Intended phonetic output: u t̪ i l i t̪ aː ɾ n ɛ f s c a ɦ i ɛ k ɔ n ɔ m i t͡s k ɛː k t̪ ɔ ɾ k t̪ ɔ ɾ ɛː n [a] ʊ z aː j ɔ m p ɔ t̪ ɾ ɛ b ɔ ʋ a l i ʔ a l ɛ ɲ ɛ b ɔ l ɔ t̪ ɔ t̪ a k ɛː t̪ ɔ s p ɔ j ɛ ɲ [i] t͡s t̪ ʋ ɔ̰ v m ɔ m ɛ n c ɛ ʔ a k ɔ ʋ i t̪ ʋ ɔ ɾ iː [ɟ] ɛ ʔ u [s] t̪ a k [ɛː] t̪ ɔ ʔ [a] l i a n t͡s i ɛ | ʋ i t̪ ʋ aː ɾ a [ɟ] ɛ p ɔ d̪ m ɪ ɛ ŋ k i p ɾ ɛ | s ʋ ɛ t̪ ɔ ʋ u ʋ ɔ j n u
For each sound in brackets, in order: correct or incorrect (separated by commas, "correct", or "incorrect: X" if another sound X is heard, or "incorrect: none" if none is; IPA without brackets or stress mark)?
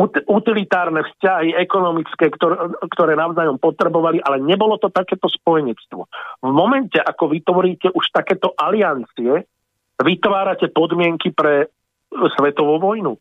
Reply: correct, incorrect: ɛ, incorrect: c, incorrect: ʃ, correct, correct, incorrect: c